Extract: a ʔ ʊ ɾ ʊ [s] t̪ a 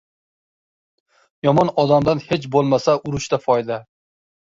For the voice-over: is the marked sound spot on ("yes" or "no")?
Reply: no